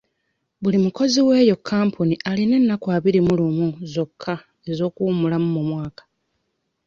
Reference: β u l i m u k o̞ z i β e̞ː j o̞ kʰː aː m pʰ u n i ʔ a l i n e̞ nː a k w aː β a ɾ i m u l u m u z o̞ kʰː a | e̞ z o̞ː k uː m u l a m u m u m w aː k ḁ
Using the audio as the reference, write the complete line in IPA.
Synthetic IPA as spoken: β u l i m u k o̞ z i w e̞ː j o̞ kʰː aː m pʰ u n i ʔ a l i n e̞ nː a k w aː β i ɾ i m u l u m u z o̞ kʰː a | e̞ z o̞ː k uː m u l a m u m u m w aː k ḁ